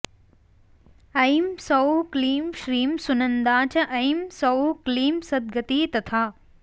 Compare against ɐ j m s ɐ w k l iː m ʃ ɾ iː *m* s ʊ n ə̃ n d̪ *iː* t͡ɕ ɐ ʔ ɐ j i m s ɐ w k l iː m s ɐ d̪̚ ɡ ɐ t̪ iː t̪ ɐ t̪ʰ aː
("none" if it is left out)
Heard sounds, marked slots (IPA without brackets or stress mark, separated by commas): m, aː